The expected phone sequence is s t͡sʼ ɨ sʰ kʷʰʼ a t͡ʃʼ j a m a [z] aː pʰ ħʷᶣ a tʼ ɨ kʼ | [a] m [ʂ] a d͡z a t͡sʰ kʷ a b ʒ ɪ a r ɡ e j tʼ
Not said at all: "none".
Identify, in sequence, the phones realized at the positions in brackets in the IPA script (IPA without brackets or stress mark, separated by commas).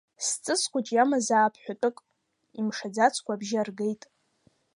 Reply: z, i, ʂ